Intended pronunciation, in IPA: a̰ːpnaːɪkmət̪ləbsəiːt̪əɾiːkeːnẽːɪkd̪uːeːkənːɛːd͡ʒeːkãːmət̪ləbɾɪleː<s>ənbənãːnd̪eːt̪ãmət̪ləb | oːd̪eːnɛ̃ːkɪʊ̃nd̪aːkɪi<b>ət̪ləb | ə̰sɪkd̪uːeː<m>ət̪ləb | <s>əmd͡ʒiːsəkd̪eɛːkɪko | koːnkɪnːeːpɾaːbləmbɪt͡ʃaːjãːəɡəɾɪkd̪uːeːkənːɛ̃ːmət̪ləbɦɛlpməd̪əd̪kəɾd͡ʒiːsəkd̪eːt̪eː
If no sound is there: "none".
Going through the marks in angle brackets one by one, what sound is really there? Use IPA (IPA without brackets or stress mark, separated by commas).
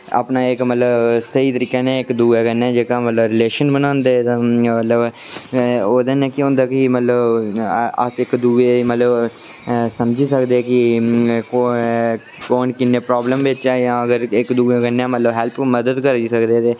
ʃ, m, m, s